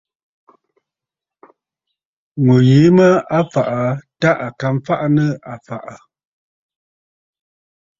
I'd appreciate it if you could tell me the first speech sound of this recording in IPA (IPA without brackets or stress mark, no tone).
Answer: ŋ